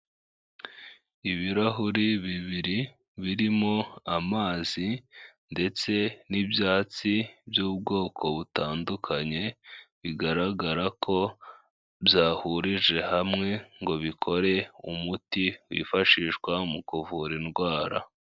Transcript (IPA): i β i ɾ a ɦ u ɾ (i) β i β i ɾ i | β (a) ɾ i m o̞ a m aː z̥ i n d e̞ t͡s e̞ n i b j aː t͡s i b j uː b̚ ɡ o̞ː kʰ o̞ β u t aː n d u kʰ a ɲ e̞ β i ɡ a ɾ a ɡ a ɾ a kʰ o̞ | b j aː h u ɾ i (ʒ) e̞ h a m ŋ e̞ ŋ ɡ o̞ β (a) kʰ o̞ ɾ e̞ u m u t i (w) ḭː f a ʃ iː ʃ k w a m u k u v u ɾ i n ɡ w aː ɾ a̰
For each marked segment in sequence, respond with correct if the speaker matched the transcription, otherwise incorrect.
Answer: correct, incorrect: i, correct, incorrect: i, correct

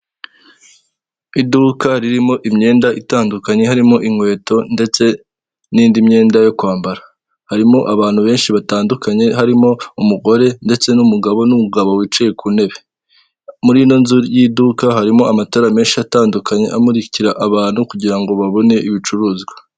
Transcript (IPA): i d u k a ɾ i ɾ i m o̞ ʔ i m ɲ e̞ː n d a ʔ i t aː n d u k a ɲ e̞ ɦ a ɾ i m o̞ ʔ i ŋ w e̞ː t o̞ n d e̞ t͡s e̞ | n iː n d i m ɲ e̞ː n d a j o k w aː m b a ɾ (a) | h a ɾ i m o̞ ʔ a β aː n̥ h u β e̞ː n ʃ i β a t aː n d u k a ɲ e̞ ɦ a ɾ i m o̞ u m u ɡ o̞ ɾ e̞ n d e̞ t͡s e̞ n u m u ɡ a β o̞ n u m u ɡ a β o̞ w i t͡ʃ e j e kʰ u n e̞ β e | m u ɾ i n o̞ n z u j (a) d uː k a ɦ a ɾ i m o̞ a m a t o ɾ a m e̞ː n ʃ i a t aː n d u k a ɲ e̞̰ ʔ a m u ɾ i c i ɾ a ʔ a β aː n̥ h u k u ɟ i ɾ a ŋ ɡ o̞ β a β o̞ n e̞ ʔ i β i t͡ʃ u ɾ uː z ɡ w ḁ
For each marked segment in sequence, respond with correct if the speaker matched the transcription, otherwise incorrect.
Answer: correct, incorrect: i

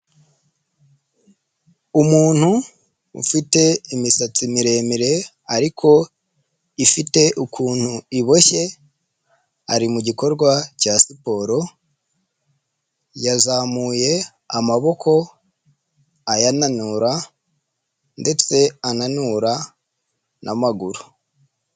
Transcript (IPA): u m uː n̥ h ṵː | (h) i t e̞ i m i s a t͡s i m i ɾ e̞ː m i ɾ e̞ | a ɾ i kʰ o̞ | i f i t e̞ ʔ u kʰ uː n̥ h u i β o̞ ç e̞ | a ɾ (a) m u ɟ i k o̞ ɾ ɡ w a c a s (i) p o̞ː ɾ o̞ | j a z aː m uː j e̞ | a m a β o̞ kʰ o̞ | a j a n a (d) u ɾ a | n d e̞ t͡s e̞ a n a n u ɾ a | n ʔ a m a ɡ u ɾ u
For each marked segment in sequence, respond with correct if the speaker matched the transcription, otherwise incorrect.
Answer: incorrect: f, incorrect: i, correct, incorrect: n

